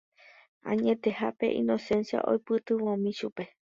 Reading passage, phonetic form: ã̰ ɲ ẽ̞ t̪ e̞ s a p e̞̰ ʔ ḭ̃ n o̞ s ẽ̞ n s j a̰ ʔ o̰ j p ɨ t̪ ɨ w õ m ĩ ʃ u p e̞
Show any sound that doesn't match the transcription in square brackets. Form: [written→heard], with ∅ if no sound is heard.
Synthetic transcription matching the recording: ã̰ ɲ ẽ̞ t̪ e̞ [s→h] a p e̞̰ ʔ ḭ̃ n o̞ s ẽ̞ n s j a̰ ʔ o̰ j p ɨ t̪ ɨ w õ m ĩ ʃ u p e̞